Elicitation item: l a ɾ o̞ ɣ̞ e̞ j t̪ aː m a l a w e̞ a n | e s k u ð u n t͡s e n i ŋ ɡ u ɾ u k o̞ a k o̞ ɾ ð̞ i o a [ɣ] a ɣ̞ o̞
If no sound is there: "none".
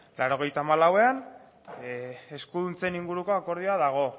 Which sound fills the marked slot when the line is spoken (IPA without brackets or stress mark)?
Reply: ð